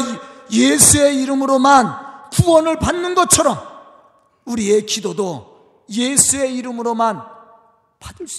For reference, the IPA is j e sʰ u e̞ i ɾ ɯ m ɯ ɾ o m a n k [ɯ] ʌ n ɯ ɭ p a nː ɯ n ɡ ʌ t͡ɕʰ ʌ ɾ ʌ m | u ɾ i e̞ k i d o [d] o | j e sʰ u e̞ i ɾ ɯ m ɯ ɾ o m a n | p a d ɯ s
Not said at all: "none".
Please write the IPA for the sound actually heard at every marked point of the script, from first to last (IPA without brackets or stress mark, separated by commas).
u, d